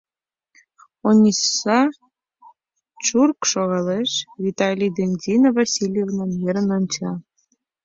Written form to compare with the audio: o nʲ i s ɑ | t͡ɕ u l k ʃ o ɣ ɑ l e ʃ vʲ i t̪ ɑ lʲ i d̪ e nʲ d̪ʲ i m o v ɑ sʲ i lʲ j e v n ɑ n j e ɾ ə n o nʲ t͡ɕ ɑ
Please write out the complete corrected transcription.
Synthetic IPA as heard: o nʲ i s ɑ | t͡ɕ u r k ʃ o ɣ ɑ l e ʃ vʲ i t̪ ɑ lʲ i d̪ e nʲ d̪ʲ i n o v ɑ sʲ i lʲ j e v n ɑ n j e ɾ ə n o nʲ t͡ɕ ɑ